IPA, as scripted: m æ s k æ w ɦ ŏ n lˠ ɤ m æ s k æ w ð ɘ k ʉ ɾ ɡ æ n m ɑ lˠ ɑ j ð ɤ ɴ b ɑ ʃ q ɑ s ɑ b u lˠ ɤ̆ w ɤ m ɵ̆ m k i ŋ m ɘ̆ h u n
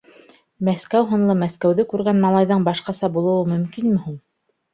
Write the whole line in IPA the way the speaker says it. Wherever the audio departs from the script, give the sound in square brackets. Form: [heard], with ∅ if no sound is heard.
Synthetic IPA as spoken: m æ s k æ w ɦ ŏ n lˠ ɤ m æ s k æ w ð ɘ k ʉ ɾ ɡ æ n m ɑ lˠ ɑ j ð ɤ ɴ b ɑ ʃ q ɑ s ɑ b u lˠ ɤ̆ w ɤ m ɵ̆ m k i [n] m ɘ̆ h u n